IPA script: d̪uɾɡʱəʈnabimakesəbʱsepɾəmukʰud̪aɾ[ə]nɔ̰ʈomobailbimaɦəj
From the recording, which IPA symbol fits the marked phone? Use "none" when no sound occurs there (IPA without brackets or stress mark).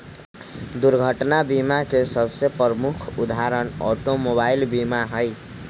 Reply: ə